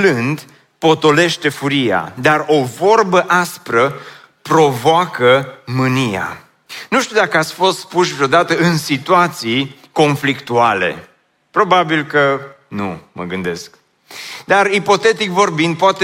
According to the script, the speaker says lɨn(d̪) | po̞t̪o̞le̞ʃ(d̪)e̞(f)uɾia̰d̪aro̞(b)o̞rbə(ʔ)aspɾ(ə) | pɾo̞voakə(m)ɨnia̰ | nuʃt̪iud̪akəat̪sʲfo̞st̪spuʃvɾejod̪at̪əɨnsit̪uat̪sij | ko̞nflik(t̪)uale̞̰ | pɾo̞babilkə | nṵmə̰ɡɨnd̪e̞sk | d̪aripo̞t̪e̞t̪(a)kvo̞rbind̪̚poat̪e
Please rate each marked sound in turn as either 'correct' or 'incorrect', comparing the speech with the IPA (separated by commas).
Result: correct, incorrect, correct, incorrect, correct, correct, correct, correct, incorrect